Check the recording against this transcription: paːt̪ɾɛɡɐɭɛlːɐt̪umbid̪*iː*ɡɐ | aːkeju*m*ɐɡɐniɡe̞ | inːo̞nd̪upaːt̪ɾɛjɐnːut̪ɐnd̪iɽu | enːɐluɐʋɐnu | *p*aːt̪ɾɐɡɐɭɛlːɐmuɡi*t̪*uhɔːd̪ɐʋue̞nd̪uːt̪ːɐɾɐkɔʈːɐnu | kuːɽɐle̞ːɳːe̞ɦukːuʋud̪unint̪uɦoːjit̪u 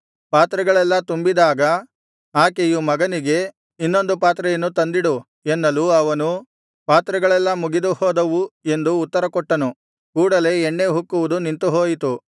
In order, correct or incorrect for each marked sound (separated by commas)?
incorrect, correct, correct, incorrect